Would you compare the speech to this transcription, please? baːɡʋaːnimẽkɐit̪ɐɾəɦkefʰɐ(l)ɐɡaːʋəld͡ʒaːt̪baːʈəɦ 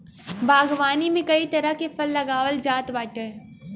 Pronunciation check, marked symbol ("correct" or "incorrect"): incorrect